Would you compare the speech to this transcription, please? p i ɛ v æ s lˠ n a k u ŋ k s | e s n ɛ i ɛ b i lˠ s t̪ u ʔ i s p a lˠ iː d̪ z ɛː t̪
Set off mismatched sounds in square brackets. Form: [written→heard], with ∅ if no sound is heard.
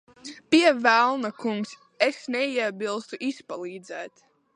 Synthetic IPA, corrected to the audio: p i ɛ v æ [s→∅] lˠ n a k u ŋ k s | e s n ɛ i ɛ b i lˠ s t̪ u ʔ i s p a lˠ iː d̪ z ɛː t̪

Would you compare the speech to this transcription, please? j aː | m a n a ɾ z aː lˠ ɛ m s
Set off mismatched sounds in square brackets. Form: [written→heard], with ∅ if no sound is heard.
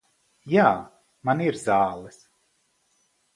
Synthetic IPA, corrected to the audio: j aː | m a n [a→i] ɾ z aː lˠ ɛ [m→∅] s

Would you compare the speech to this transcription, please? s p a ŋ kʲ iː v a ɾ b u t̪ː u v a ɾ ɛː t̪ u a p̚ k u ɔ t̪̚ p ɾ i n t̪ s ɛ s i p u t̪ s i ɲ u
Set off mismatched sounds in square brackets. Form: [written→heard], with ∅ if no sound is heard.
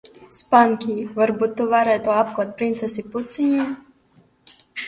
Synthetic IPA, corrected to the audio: s p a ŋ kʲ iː v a ɾ b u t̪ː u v a ɾ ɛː t̪ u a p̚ k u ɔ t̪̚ p ɾ i n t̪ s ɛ s i p u t̪ s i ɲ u

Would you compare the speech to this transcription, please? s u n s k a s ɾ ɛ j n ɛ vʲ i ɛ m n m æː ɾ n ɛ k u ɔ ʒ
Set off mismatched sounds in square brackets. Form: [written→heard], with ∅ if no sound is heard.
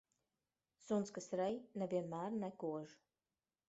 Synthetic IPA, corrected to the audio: s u n s k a s ɾ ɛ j n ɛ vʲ i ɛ [m→∅] n m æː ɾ n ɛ k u ɔ ʒ

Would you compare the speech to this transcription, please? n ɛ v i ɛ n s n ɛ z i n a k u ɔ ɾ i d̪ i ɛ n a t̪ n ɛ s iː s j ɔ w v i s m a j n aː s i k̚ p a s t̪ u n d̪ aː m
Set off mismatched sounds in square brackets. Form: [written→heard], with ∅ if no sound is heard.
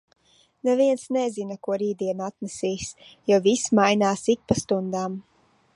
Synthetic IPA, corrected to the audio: n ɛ v i ɛ n s n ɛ z i n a k u ɔ ɾ [i→iː] d̪ i ɛ n a t̪ n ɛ s iː s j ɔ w v i s m a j n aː s i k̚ p a s t̪ u n d̪ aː m

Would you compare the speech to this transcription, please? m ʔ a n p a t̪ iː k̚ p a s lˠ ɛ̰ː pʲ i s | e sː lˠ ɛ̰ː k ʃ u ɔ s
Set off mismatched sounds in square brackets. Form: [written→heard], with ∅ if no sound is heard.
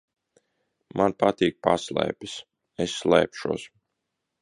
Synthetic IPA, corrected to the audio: m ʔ a n p a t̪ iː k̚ p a s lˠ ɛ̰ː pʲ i s | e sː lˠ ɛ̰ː [k→p] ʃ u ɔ s

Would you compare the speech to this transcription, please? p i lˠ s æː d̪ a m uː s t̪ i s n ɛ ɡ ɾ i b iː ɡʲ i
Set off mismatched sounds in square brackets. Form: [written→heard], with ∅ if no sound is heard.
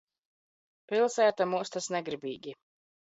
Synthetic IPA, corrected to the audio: p i lˠ s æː [d̪→t̪] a m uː s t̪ [i→a] s n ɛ ɡ ɾ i b iː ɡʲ i

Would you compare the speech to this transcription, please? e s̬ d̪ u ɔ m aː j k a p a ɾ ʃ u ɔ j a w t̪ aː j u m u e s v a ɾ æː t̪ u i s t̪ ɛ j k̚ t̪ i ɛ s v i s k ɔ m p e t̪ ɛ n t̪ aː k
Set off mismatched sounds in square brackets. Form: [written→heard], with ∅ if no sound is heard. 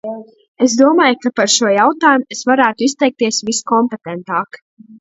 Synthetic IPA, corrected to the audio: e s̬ d̪ u ɔ m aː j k a p a ɾ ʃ u ɔ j a w t̪ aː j u m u e s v a ɾ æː t̪ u i s t̪ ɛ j k̚ t̪ i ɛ s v i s k ɔ m p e t̪ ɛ n t̪ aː k

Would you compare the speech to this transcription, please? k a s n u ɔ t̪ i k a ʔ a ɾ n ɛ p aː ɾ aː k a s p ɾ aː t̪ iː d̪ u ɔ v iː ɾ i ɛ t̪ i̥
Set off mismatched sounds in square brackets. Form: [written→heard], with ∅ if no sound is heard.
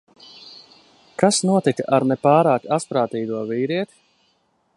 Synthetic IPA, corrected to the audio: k a s n u ɔ t̪ i k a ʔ a ɾ n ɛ p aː ɾ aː k a s p ɾ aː t̪ iː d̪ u ɔ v iː ɾ i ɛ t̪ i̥

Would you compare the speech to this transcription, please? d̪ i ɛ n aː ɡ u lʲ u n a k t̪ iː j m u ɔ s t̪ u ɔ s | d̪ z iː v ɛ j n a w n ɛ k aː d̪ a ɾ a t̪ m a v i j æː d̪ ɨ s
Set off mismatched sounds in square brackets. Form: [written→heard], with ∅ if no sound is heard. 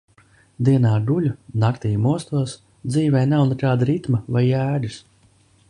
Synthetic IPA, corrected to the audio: d̪ i ɛ n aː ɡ u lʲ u n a k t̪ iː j m u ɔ s t̪ u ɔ s | d̪ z iː v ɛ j n a w n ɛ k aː d̪ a ɾ [a→i] t̪ m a v [i→a] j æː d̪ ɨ s

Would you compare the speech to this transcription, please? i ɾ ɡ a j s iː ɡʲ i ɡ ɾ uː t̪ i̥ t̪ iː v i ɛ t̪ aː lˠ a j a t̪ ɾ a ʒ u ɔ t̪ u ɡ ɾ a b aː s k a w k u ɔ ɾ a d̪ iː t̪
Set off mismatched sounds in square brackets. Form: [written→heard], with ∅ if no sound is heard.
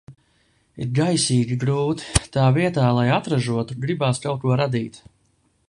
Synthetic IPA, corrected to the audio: i ɾ ɡ a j s iː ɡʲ i ɡ ɾ uː t̪ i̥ t̪ [iː→aː] v i ɛ t̪ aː lˠ a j a t̪ ɾ a ʒ u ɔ t̪ u ɡ ɾ [a→i] b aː s k a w k u ɔ ɾ a d̪ iː t̪

